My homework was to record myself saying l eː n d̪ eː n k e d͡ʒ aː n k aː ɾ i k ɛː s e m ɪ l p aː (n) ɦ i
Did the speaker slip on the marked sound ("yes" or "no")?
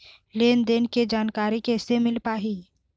yes